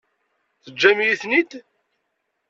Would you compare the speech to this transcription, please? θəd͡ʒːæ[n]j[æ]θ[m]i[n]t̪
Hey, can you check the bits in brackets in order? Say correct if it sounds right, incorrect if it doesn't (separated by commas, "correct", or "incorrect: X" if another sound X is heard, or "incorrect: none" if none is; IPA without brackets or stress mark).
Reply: incorrect: m, incorrect: i, incorrect: n, incorrect: none